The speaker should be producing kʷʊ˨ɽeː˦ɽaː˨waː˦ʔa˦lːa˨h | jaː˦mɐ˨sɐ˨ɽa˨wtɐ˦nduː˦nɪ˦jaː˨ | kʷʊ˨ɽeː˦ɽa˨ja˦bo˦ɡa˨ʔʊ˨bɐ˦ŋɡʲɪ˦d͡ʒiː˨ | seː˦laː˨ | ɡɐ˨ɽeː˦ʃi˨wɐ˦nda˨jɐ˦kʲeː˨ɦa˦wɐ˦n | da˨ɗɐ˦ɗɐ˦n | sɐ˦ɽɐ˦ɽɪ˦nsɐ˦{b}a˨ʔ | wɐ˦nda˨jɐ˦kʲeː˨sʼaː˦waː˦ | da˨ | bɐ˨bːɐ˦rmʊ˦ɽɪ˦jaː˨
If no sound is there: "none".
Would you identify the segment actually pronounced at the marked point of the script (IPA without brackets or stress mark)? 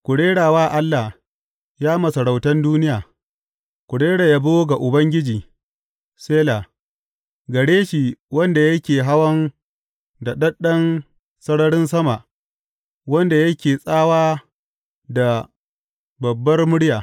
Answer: m